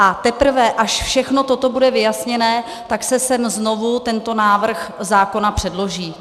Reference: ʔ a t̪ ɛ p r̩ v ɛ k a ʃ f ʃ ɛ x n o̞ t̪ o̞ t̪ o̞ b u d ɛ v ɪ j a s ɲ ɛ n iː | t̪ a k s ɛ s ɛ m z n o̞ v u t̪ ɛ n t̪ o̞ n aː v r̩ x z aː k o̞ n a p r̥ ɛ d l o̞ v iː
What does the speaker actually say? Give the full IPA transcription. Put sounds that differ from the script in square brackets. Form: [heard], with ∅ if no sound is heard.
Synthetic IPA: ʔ a t̪ ɛ p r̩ v ɛ [ʔ] a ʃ f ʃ ɛ x n o̞ t̪ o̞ t̪ o̞ b u d ɛ v ɪ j a s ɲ ɛ n [ɛː] | t̪ a k s ɛ s ɛ m z n o̞ v u t̪ ɛ n t̪ o̞ n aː v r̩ x z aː k o̞ n a p r̥ ɛ d l o̞ [ʒ] iː